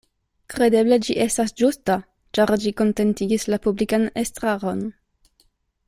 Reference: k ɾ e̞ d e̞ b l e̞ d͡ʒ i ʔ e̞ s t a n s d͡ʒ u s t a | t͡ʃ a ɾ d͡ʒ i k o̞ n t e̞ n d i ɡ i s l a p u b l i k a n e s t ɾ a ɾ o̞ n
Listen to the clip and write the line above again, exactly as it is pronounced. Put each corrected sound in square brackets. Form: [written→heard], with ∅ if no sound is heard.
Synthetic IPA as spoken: k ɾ e̞ d e̞ b l e̞ d͡ʒ i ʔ e̞ s t a [n→∅] s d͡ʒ u s t a | t͡ʃ a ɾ d͡ʒ i k o̞ n t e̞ n [d→t] i ɡ i s l a p u b l i k a n e s t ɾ a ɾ o̞ n